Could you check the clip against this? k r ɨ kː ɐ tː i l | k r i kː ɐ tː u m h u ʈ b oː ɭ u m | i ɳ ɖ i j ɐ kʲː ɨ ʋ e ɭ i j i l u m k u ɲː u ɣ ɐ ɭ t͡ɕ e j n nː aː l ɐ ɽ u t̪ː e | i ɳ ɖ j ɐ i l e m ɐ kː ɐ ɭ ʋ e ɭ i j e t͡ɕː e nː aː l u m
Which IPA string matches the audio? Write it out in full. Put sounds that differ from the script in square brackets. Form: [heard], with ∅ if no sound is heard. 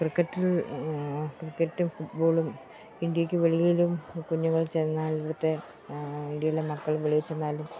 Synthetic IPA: k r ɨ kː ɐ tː i l | k r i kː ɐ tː u m [f] u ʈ b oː ɭ u m | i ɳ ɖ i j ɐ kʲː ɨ ʋ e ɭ i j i l u m k u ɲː u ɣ ɐ ɭ t͡ɕ e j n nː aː l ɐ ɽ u t̪ː e | i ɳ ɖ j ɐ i l e m ɐ kː ɐ ɭ ʋ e ɭ i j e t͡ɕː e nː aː l u m